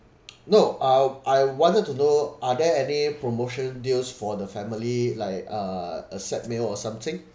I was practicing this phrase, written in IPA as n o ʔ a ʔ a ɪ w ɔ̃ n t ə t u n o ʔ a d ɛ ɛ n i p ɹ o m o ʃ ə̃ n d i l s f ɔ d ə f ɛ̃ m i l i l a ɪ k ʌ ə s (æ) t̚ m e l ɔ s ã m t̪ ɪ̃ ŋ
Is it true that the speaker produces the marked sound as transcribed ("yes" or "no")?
no